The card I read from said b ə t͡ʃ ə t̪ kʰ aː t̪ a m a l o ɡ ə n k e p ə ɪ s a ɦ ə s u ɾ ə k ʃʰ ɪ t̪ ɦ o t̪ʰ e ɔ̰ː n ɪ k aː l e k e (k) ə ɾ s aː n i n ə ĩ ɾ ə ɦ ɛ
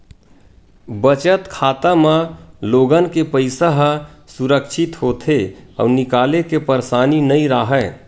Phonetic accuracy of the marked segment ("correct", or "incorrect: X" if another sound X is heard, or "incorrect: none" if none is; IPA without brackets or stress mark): incorrect: p